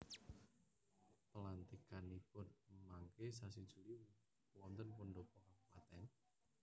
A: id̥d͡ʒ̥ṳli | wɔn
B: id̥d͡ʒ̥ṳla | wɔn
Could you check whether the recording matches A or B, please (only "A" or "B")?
A